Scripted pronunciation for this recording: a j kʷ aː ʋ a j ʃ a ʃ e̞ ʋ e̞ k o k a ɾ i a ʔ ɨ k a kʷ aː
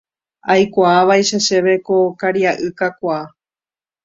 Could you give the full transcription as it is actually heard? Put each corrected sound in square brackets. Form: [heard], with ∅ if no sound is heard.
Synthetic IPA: a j kʷ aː ʋ a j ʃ a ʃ e̞ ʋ e̞ k o k a ɾ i a ʔ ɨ k a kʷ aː